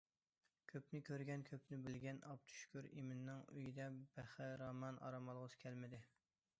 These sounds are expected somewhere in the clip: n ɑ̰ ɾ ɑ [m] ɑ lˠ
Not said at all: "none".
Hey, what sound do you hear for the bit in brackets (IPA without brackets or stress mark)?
m